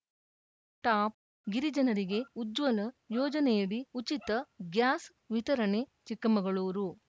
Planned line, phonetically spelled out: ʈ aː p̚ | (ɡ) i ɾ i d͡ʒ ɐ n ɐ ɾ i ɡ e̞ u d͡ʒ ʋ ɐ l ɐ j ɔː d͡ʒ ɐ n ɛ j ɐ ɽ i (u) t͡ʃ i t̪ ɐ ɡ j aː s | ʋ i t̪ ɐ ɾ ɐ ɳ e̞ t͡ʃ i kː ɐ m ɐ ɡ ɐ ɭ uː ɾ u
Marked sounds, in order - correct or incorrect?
correct, correct

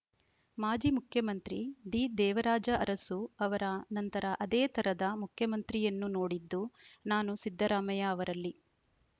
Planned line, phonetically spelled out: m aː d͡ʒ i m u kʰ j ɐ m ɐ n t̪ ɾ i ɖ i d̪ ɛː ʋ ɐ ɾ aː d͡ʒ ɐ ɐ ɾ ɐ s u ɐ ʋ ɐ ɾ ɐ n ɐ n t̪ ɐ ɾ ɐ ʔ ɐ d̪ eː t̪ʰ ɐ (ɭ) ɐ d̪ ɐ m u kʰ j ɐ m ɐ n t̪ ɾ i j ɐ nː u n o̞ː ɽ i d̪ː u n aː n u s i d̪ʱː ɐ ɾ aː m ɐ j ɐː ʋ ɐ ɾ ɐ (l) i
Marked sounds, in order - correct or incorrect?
incorrect, incorrect

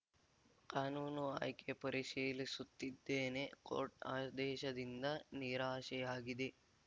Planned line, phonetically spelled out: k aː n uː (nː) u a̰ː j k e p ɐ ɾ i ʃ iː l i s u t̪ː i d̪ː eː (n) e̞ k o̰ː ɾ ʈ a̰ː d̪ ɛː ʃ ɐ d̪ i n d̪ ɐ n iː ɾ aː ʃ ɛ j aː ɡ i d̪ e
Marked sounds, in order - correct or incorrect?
incorrect, correct

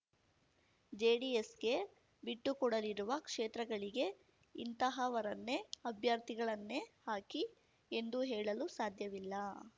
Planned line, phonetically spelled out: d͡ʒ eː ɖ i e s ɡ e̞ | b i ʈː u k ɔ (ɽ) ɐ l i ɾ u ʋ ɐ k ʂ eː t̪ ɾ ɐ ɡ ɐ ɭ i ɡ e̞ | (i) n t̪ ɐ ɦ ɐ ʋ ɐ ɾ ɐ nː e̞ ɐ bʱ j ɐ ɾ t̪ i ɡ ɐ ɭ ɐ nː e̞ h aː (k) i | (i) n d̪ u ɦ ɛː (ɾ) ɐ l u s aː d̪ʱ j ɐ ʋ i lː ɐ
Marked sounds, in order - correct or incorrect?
correct, correct, correct, incorrect, incorrect

